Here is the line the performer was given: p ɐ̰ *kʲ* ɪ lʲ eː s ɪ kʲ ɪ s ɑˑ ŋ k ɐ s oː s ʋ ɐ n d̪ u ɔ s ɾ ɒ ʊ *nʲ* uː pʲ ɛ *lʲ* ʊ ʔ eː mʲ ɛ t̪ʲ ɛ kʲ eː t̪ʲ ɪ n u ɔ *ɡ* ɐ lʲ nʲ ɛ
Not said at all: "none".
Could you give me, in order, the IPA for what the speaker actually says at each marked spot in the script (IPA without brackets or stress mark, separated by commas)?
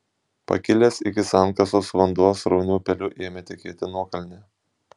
kʲ, nʲ, lʲ, k